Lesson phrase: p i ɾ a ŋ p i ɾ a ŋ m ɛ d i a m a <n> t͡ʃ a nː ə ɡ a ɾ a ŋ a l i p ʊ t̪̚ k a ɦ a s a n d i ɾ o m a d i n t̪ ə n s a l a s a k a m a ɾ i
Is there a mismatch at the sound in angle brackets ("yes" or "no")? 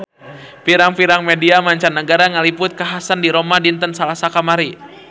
yes